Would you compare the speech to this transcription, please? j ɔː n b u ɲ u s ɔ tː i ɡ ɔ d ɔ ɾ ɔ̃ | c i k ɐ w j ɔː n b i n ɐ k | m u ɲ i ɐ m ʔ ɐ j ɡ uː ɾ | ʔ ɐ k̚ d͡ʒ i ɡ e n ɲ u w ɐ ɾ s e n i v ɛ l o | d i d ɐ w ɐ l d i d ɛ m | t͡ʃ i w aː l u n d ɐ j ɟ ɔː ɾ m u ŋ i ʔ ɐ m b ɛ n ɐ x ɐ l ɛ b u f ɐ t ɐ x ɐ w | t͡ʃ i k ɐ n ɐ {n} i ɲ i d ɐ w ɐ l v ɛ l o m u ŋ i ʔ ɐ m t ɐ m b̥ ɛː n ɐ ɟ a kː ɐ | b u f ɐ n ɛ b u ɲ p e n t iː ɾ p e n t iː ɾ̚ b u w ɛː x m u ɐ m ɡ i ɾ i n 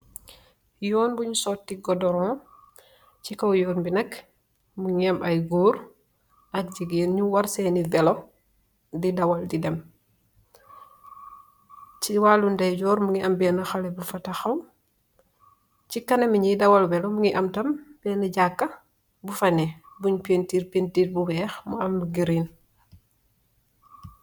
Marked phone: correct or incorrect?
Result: incorrect